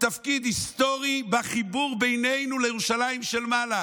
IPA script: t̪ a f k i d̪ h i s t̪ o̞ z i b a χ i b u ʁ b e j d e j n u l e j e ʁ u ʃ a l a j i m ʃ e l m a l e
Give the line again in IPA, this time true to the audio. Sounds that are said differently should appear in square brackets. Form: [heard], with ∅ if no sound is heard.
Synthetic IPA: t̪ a f k i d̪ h i s t̪ o̞ [ʁ] i b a χ i b u ʁ b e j [n] e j n u l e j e ʁ u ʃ a l a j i m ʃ e l m a l [a]

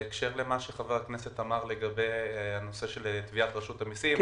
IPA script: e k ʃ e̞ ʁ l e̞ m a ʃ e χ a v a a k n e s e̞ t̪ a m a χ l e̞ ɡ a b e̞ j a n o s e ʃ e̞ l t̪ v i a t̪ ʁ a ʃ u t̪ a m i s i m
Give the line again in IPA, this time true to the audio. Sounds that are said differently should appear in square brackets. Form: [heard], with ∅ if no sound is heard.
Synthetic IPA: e k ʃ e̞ ʁ l e̞ m a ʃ e χ a v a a k n e s e̞ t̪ a m a [ʁ] l e̞ ɡ a b e̞ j a n o s e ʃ e̞ l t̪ v i a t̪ ʁ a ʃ u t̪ a m i s i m

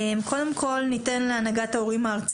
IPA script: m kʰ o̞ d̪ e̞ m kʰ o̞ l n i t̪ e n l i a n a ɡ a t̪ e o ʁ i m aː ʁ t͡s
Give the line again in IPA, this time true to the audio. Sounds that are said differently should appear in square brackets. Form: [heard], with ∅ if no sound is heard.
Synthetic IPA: m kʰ o̞ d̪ e̞ m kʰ o̞ l n i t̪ e n l [e] a n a ɡ a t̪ [a] o ʁ i m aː ʁ t͡s

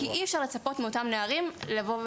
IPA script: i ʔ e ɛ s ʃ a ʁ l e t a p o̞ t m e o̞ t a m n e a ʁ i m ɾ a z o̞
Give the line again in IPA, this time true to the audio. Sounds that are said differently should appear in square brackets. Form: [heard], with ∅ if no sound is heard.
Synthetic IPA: i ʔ [i] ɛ [f] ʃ a ʁ l e [t͡s] a p o̞ t m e o̞ t a m n e a ʁ i m [l] a [v] o̞

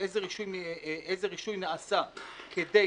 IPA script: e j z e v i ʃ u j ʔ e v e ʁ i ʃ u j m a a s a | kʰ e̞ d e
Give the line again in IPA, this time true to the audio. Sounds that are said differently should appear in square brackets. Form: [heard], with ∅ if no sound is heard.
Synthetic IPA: e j z e [ʁ] i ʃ u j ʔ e [z] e ʁ i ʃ u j [n] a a s a | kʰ e̞ d e

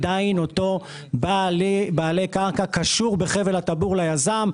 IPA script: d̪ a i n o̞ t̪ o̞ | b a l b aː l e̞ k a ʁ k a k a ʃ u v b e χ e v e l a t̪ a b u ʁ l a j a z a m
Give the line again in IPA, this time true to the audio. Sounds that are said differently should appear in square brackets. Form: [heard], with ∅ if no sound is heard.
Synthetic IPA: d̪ a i n o̞ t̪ o̞ | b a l b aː l e̞ k a ʁ k a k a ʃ u [ʁ] b e χ e v e l a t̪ a b u ʁ l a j a z a m

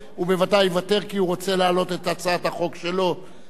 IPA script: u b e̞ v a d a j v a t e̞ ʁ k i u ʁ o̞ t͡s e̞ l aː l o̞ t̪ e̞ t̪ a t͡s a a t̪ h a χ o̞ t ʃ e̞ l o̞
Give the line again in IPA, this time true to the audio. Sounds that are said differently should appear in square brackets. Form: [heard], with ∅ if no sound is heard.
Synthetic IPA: u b e̞ v a d a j v a t e̞ ʁ k i u ʁ o̞ t͡s e̞ l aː l o̞ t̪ e̞ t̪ a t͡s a a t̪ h a χ o̞ [k] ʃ e̞ l o̞

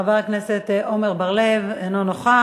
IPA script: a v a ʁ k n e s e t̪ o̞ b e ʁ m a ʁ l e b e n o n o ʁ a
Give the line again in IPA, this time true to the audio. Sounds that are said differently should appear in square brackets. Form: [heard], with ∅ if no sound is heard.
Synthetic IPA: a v a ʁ k n e s e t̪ o̞ [m] e ʁ [b] a ʁ l e [v] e n o n o [χ] a

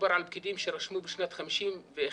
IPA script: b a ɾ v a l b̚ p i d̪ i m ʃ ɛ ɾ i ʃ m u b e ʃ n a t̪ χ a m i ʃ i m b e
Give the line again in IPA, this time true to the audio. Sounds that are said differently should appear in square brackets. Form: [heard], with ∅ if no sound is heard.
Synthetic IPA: b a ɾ [ʕ] a l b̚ [k] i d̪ i m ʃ [e] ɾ [a] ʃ m u b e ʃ n a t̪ χ a m i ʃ i m [v] e

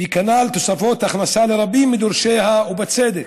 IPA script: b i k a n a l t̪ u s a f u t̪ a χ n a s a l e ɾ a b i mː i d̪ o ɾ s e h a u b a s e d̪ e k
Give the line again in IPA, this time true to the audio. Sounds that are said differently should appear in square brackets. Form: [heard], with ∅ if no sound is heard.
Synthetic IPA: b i k a n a l t̪ [o] s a f [o] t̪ a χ n a s a l e ɾ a b i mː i d̪ o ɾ [ʃ] e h a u b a [t͡s] e d̪ e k

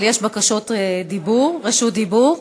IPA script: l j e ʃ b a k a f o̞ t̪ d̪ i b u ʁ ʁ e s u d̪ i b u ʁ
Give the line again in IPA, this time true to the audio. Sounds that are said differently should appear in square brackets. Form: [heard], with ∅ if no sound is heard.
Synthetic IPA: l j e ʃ b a k a [ʃ] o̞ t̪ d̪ i b u ʁ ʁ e [ʃ] u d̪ i b u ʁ

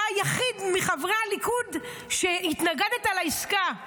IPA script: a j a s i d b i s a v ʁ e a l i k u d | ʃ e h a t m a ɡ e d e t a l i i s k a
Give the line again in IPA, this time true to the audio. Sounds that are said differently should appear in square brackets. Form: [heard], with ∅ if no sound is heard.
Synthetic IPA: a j a [χ] i d [m] i [χ] a v ʁ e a l i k u d | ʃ e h [i] t [n] a ɡ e d e t a l [a] i s k a

